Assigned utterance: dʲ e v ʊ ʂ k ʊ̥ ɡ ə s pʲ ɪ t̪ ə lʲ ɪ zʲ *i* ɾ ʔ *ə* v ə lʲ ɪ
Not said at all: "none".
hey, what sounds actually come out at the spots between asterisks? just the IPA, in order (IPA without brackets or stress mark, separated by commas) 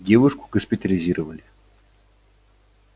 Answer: i, ə